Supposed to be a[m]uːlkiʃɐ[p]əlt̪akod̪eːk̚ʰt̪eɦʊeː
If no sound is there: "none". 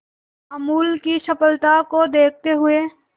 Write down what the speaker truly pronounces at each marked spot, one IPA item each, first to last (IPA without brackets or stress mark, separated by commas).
m, p